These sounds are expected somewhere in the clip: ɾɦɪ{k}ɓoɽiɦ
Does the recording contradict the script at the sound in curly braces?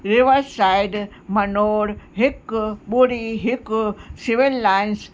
no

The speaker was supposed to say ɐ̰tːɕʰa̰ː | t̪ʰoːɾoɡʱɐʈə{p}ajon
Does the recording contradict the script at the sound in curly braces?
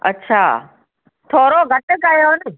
yes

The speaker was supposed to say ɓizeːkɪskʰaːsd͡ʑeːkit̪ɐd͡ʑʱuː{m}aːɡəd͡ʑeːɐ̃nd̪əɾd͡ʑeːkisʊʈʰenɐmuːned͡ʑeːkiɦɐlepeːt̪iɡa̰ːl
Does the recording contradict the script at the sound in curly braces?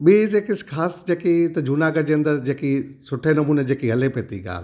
yes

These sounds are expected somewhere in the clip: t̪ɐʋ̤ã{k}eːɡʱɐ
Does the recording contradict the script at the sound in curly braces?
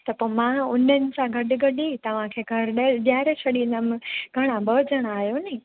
yes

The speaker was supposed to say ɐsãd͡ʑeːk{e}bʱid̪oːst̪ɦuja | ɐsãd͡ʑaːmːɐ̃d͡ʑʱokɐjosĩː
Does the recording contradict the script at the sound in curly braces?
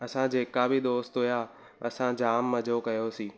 yes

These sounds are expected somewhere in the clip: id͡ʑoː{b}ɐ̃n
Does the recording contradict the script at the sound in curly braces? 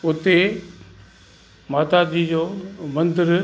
yes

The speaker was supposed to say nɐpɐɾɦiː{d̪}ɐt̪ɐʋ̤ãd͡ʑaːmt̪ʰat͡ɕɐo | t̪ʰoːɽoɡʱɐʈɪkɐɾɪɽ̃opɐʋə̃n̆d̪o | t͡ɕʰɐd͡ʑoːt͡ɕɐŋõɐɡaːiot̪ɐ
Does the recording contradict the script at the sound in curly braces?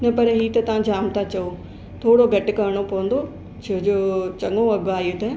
yes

